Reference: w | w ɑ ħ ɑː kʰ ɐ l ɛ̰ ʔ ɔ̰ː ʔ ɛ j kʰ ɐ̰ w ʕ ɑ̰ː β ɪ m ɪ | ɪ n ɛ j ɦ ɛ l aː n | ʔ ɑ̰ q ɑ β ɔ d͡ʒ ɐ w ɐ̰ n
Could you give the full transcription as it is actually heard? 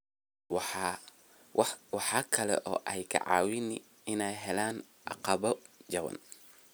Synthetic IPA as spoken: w | w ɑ ħ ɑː kʰ ɐ l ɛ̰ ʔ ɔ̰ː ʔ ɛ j kʰ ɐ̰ ʕ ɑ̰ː w ɪ n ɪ | ɪ n ɛ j ɦ ɛ l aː n | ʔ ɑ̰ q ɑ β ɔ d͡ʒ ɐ w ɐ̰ n